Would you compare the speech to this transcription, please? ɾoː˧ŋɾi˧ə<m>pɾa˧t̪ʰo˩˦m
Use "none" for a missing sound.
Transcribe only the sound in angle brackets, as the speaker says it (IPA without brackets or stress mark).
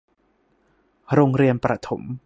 n